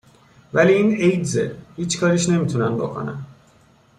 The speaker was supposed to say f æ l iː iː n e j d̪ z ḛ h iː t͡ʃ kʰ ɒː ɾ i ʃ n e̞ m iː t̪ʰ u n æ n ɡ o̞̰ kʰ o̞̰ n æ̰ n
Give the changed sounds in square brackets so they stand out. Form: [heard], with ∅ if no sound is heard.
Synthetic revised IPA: [v] æ l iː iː n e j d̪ z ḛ h iː t͡ʃ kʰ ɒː ɾ i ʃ n e̞ m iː t̪ʰ u n æ n [b] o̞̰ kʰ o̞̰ n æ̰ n